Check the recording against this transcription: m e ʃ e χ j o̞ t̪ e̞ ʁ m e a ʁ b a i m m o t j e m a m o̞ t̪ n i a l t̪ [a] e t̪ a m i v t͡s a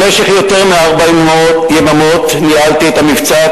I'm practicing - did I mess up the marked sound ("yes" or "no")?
yes